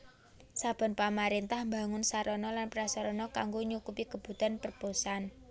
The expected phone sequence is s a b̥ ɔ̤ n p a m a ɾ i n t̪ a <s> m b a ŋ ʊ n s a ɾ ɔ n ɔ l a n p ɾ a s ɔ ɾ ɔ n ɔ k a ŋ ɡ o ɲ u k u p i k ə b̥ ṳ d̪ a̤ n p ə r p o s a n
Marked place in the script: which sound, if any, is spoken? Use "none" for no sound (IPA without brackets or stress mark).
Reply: h